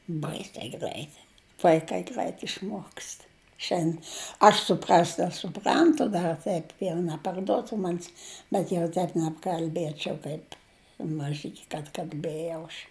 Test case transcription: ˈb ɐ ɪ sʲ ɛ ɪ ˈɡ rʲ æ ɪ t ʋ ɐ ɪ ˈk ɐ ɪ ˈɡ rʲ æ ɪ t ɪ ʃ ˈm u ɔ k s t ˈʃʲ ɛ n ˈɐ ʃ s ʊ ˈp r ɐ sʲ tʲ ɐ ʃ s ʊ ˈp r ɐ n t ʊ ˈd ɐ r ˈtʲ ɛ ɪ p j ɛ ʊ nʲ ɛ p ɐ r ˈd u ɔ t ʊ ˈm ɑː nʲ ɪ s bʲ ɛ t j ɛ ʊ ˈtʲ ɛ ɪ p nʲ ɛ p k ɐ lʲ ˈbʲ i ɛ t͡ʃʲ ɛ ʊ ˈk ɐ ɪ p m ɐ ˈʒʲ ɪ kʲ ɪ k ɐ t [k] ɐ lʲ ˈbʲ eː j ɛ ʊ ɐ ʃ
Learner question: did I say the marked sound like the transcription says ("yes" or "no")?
yes